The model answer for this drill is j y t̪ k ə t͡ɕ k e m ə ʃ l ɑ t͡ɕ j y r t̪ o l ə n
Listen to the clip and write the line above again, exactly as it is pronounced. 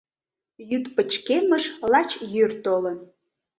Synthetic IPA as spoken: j y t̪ p ə t͡ɕ k e m ə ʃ l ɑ t͡ɕ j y r t̪ o l ə n